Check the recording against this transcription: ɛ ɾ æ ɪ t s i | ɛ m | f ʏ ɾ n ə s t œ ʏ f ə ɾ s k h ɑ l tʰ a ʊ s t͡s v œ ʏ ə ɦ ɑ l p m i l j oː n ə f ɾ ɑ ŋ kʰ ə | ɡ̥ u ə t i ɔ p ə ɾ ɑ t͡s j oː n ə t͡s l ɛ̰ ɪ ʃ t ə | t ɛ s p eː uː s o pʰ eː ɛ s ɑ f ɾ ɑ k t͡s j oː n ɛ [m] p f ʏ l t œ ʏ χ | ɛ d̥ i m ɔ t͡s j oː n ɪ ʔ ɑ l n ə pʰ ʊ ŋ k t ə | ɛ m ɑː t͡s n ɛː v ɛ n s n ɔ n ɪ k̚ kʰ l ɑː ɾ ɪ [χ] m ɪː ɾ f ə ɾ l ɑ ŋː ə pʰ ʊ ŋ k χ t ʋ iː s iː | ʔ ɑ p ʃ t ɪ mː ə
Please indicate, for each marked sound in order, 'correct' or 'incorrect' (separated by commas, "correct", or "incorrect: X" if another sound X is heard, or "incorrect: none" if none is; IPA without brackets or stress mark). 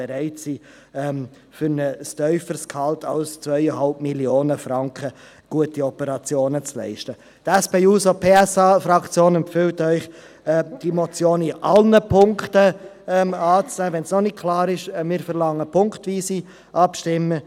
correct, incorrect: ʃ